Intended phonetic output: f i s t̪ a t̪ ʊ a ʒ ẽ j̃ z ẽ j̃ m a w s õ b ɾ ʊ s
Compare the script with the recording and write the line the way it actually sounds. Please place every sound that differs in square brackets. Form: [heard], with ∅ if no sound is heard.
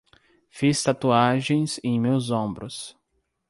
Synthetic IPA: f i s t̪ a t̪ [u] a ʒ ẽ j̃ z ẽ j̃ m [e] w [z] õ b ɾ ʊ s